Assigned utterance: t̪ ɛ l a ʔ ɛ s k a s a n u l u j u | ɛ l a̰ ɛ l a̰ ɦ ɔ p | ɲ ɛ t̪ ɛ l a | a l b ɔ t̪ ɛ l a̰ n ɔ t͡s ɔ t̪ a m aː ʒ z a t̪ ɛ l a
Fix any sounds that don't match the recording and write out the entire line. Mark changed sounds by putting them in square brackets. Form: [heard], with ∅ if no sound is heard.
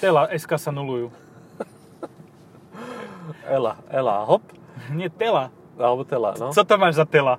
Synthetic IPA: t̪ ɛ l a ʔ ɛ s k a s a n u l u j u | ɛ l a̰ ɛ l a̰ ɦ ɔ p | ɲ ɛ t̪ ɛ l a | a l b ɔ t̪ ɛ l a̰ n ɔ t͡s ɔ t̪ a m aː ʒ z a t̪ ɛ l a